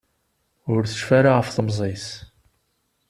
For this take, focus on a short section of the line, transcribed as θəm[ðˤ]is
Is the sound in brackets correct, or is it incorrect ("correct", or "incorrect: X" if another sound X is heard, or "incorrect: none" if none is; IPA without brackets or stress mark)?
incorrect: zˤ